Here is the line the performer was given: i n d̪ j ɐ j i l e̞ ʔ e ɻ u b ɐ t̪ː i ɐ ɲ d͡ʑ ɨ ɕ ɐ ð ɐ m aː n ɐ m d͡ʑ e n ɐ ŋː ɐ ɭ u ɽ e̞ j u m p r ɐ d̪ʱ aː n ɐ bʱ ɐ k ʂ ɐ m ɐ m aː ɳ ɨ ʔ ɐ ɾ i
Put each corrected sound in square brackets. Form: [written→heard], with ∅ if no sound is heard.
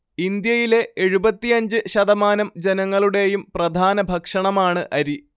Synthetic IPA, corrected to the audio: i n d̪ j ɐ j i l e̞ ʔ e ɻ u b ɐ t̪ː i ɐ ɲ d͡ʑ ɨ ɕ ɐ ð ɐ m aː n ɐ m d͡ʑ e n ɐ ŋː ɐ ɭ u ɽ e̞ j u m p r ɐ d̪ʱ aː n ɐ bʱ ɐ k ʂ ɐ [m→ɳ] ɐ m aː ɳ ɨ ʔ ɐ ɾ i